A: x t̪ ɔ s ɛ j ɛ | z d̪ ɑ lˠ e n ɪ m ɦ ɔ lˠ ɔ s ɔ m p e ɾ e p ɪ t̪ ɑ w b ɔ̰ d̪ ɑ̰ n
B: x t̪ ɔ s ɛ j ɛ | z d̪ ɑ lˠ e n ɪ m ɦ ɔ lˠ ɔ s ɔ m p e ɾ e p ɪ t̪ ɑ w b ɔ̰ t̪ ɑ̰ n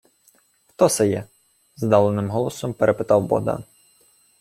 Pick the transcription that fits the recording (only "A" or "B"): A